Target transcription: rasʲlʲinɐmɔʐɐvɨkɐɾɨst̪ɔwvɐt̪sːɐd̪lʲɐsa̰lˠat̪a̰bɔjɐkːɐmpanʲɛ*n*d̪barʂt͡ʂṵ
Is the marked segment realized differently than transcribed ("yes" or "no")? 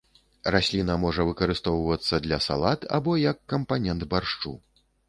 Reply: no